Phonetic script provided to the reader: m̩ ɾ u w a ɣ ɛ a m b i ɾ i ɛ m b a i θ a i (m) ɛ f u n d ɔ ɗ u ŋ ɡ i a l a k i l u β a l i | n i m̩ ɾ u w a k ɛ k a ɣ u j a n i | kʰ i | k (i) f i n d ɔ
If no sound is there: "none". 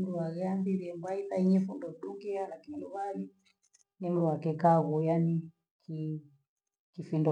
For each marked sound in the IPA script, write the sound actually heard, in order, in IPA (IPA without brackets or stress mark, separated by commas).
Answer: ɲ, i